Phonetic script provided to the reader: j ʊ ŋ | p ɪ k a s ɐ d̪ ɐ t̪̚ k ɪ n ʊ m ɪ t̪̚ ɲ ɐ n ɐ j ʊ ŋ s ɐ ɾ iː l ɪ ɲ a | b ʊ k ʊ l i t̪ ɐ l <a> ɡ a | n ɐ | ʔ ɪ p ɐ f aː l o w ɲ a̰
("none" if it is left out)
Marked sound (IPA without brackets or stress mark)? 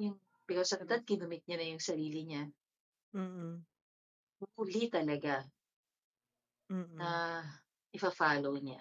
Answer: ɐ